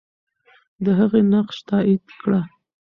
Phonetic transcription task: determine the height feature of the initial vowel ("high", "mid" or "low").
mid